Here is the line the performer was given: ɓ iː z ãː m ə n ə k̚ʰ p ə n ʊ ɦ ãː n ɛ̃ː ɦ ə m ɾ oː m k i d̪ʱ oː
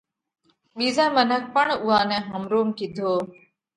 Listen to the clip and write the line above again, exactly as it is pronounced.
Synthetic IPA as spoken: ɓ iː z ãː m ə n ə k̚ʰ p ə ɳ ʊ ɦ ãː n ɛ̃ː ɦ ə m ɾ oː m k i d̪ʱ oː